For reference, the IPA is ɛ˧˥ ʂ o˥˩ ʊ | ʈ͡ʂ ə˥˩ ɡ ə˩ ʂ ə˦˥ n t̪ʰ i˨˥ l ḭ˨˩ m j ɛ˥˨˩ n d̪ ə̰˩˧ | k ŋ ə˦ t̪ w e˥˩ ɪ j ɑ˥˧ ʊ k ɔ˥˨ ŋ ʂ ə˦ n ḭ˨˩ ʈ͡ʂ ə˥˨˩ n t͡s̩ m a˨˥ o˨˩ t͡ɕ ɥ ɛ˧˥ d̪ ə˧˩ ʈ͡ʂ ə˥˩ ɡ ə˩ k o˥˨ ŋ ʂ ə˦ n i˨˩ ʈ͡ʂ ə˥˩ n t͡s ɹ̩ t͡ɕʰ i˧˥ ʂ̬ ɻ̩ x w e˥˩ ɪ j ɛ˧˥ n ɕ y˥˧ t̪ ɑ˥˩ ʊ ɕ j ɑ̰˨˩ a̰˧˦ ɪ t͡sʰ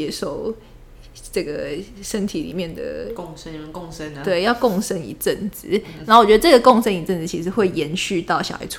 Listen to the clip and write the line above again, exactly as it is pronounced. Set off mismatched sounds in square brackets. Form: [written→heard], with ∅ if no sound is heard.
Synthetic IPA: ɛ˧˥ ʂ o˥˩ ʊ | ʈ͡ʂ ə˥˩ ɡ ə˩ ʂ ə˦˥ n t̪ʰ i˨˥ l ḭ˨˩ m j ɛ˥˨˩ n d̪ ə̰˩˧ | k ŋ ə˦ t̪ w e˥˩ ɪ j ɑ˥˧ ʊ k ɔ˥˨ ŋ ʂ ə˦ n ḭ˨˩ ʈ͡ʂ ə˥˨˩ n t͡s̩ [m→n] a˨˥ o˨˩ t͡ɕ ɥ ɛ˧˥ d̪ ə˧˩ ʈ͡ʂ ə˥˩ ɡ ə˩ k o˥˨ ŋ ʂ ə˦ n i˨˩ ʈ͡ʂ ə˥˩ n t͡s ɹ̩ t͡ɕʰ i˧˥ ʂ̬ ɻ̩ x w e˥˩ ɪ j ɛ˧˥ n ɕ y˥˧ t̪ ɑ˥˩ ʊ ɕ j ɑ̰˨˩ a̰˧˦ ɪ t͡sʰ